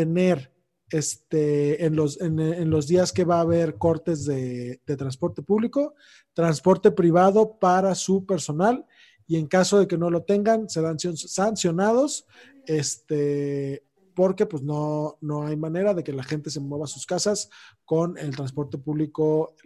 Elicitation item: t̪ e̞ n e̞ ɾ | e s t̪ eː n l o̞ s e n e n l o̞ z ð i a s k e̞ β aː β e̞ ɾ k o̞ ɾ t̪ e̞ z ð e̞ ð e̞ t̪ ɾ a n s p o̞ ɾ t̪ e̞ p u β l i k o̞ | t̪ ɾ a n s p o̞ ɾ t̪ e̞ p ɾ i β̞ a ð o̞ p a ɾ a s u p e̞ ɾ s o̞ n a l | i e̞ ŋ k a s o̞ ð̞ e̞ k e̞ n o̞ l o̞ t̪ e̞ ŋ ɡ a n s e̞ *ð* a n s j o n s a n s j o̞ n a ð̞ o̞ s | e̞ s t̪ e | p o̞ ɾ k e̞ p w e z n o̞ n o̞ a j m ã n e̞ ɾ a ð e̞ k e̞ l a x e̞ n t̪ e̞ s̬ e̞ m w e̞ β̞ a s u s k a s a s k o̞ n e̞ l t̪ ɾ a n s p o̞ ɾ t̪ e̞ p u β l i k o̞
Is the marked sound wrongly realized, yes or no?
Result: no